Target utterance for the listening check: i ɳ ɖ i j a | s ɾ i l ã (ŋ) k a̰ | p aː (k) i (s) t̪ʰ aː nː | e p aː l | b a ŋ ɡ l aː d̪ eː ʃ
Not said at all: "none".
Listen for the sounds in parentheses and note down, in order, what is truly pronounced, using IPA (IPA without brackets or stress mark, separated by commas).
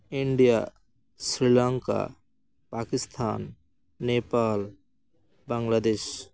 ŋ, k, s